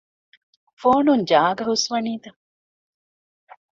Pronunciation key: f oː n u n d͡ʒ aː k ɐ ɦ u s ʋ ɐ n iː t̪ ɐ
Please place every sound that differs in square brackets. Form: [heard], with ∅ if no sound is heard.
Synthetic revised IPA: f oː n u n d͡ʒ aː [ɡ] ɐ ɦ u s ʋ ɐ n iː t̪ ɐ